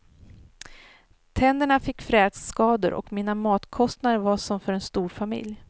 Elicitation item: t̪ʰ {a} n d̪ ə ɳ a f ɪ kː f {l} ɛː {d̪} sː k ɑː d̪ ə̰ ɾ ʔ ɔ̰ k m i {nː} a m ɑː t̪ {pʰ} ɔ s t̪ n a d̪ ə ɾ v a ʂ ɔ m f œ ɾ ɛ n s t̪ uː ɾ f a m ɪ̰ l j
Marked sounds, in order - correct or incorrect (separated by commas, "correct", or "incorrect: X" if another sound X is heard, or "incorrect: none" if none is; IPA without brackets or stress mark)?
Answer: incorrect: ɛ, incorrect: ɾ, correct, incorrect: n, incorrect: kʰ